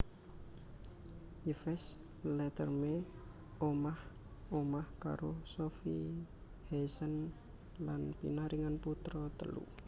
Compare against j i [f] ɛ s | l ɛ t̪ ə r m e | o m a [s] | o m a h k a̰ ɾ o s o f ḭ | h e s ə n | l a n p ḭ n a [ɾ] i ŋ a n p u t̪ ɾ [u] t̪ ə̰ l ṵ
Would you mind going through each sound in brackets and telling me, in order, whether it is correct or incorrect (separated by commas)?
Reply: correct, incorrect, correct, incorrect